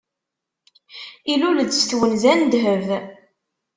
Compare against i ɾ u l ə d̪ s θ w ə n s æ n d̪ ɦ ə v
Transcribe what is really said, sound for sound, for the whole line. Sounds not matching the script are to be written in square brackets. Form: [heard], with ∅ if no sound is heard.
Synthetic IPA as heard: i [l] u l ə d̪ s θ w ə n [z] æ n d̪ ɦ ə v